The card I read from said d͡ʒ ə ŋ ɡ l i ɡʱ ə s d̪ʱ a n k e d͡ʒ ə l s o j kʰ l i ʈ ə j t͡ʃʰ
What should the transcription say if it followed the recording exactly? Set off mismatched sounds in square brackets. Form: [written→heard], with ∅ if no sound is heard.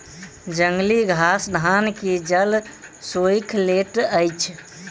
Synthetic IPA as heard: d͡ʒ ə ŋ ɡ l i ɡʱ [ə→a] s d̪ʱ a n k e d͡ʒ ə l s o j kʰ l [i→e] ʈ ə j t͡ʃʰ